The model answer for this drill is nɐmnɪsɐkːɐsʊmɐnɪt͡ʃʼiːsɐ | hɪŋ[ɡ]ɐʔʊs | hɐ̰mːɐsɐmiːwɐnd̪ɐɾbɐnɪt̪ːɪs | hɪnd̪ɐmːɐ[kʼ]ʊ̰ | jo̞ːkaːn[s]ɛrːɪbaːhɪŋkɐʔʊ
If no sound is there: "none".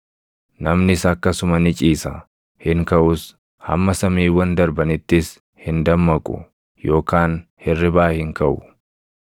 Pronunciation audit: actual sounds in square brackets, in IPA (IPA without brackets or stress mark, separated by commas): k, kʼ, h